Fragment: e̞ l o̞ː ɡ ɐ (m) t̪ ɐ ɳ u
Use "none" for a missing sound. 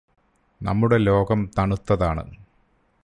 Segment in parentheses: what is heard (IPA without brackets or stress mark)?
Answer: m